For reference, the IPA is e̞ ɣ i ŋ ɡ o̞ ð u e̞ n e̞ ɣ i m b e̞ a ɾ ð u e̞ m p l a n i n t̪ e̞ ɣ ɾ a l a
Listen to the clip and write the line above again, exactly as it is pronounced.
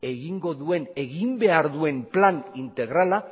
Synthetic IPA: e̞ ɣ i ŋ ɡ o̞ ð u e̞ n e̞ ɣ i m b e̞ a ɾ ð u e̞ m p l a n i n t̪ e̞ ɣ ɾ a l a